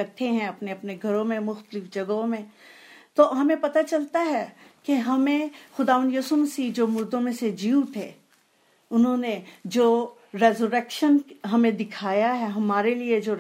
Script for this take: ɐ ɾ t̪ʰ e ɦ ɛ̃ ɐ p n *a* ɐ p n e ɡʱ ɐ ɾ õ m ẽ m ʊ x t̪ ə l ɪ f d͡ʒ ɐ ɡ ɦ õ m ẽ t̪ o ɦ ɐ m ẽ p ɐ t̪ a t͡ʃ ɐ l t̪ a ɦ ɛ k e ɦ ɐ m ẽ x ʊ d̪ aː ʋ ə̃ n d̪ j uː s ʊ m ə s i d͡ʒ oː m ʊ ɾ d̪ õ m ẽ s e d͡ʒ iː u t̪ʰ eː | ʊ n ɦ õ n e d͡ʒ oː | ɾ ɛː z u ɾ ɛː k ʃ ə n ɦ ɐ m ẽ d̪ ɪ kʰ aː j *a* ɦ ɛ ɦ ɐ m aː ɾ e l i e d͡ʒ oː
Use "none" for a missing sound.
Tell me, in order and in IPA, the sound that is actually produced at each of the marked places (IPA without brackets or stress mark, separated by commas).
e, a